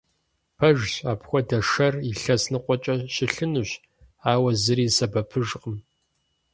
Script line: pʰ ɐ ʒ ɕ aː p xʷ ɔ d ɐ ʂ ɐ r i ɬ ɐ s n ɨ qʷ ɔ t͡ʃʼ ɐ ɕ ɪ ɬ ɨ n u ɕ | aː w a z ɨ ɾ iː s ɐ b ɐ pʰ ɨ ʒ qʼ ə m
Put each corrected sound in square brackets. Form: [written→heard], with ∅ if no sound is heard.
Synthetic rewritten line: pʰ ɐ ʒ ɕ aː p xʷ ɔ d ɐ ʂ ɐ r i ɬ ɐ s n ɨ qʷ ɔ t͡ʃʼ ɐ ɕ ɪ ɬ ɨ n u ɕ | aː w [a→ɐ] z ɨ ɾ iː s ɐ b ɐ pʰ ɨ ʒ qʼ ə m